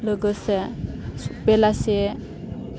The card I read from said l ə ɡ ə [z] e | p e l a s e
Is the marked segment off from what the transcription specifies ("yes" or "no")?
yes